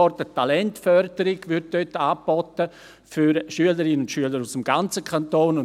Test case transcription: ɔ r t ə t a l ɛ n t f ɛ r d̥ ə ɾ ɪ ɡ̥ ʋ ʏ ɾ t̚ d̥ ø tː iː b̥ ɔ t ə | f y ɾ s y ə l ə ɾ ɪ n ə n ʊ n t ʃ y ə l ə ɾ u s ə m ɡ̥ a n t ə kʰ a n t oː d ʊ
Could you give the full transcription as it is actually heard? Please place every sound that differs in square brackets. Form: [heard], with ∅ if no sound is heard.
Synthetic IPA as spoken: ɔ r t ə t a l ɛ n t f [œ] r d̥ ə ɾ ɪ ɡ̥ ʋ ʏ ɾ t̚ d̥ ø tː [aː] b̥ ɔ t ə | f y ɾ [ʃ] y ə l ə ɾ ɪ n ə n ʊ n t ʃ y ə l ə ɾ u s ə m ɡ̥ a n [t͡s] ə kʰ a n t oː [n] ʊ